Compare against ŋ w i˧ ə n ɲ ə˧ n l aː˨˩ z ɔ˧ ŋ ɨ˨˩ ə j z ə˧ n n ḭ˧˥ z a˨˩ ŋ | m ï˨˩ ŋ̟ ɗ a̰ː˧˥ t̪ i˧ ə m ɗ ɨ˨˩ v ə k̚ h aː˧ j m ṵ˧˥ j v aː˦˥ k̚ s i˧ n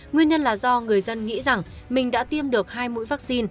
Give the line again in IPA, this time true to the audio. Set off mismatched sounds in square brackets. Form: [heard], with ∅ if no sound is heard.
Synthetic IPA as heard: ŋ w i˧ ə n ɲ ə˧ n l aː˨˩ z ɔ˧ ŋ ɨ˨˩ ə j z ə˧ n [ŋ] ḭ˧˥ z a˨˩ ŋ | m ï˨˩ ŋ̟ ɗ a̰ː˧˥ t̪ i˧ ə m ɗ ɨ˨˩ [∅] ə k̚ h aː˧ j m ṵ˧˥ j v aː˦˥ k̚ s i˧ n

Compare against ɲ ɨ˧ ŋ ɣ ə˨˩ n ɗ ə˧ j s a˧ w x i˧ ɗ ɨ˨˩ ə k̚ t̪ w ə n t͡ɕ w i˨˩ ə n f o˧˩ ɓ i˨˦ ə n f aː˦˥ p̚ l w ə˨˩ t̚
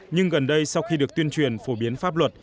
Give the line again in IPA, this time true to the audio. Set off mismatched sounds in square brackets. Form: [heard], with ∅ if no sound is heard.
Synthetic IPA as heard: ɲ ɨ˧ ŋ ɣ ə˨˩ n ɗ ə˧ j s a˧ w x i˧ ɗ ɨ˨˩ ə k̚ t̪ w ə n t͡ɕ w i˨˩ ə n f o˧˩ ɓ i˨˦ ə n f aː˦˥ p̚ l w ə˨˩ t̚

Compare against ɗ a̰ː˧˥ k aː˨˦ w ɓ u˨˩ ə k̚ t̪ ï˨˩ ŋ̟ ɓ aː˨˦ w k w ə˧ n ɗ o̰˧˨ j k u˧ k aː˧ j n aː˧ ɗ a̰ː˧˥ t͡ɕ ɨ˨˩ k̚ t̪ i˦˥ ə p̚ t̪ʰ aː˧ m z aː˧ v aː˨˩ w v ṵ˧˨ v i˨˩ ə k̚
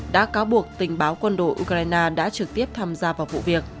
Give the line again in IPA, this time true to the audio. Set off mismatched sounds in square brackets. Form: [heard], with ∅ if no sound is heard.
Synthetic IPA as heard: ɗ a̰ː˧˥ k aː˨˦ w ɓ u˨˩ ə k̚ t̪ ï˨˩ ŋ̟ ɓ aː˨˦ w k w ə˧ n ɗ o̰˧˨ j [ʔ] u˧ k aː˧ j n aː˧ ɗ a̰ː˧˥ t͡ɕ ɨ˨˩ k̚ t̪ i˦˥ ə p̚ t̪ʰ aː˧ m z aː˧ v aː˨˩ w v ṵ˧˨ v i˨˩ ə k̚

